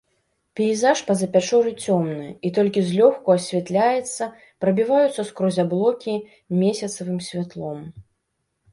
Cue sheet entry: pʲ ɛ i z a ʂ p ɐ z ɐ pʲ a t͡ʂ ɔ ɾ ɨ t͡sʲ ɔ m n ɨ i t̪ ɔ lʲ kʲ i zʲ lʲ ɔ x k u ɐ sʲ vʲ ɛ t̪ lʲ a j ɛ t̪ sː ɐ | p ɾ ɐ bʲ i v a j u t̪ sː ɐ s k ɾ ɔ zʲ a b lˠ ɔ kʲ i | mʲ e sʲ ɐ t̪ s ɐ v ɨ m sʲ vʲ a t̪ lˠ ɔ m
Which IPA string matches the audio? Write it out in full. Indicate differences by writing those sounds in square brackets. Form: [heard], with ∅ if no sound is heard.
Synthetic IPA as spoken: pʲ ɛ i z a ʂ p ɐ z ɐ pʲ a t͡ʂ ɔ ɾ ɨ t͡sʲ ɔ m n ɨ i t̪ ɔ lʲ kʲ i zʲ lʲ ɔ x k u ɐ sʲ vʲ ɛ t̪ lʲ a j ɛ t̪ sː ɐ | p ɾ ɐ bʲ i v a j u t̪ sː ɐ s k ɾ ɔ zʲ a b lˠ ɔ kʲ i | mʲ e sʲ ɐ t̪ s ɐ v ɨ m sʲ vʲ a t̪ lˠ ɔ m